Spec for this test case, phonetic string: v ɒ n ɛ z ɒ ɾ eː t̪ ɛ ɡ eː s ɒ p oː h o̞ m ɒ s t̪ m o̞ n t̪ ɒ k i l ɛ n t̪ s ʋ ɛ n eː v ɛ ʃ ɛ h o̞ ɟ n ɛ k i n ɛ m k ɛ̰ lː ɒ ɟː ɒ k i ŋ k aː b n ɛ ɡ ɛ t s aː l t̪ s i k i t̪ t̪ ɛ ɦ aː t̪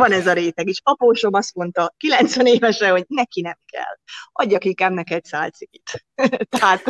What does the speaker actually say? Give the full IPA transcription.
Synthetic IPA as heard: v ɒ n ɛ z ɒ ɾ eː t̪ ɛ ɡ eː ʃ ɒ p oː ʃ o̞ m ɒ s t̪ m o̞ n t̪ ɒ k i l ɛ n t̪ s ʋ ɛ n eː v ɛ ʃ ɛ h o̞ ɟ n ɛ k i n ɛ m k ɛ̰ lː ɒ ɟː ɒ k i ŋ k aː b n ɛ k ɛ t s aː l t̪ s i k i t̪ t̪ ɛ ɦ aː t̪